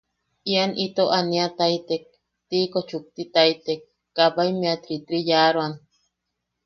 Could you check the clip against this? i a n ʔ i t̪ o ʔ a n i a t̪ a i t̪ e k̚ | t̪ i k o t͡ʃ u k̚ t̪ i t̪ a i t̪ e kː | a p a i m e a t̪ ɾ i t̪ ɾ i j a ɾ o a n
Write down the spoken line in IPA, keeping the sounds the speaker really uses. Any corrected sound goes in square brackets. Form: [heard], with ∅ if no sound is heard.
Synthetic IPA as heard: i a n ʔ i t̪ o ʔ a n i a t̪ a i t̪ e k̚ | t̪ i k o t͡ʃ u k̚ t̪ i t̪ a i t̪ e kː | a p a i m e a t̪ ɾ i t̪ ɾ i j a ɾ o a n